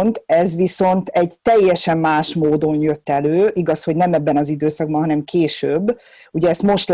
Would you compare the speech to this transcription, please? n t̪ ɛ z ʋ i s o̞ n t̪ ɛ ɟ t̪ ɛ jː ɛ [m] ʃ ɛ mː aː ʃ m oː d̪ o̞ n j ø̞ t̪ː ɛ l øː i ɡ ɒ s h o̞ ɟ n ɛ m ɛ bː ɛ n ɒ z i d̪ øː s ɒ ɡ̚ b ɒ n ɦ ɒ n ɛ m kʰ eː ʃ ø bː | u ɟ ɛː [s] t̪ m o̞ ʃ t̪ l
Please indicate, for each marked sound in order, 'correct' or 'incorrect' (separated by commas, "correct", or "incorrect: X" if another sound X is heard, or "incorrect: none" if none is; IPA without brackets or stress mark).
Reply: incorrect: none, correct